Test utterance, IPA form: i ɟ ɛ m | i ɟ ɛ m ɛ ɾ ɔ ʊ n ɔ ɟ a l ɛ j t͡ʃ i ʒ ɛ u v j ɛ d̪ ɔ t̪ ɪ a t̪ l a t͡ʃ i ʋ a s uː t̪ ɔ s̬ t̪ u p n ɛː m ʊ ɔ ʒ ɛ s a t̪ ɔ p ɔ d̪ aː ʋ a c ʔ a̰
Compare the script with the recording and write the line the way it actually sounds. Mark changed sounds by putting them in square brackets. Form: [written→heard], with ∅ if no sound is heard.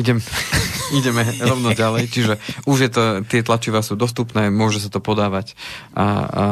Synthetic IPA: i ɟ ɛ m | i ɟ ɛ m ɛ ɾ ɔ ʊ n ɔ ɟ a l ɛ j t͡ʃ i ʒ ɛ u [v→ʒ] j ɛ [d̪→t̪] ɔ t̪ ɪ [a→ɛ] t̪ l a t͡ʃ i ʋ a s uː [t̪→d̪] ɔ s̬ t̪ u p n ɛː m ʊ ɔ ʒ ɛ s a t̪ ɔ p ɔ d̪ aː ʋ a c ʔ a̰